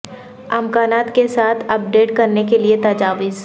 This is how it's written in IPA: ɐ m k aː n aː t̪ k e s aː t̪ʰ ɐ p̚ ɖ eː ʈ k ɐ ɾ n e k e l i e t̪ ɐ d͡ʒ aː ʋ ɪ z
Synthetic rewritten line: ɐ m k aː n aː t̪ k e s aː t̪ʰ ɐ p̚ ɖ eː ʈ k ɐ ɾ n e k e l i e t̪ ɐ d͡ʒ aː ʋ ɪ z

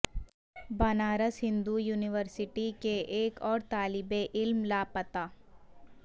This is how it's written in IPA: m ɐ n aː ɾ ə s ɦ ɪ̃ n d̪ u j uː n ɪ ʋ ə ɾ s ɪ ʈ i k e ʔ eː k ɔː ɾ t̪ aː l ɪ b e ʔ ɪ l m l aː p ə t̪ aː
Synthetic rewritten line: b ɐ n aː ɾ ə s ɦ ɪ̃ n d̪ u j uː n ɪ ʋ ə ɾ s ɪ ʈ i k e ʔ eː k ɔː ɾ t̪ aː l ɪ b e ʔ ɪ l m l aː p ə t̪ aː

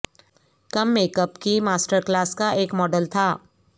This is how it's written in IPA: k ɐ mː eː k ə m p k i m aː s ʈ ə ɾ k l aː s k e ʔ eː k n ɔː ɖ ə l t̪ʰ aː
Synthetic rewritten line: k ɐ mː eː k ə p k i m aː s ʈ ə ɾ k l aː s k a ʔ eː k m ɔː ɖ ə l t̪ʰ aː

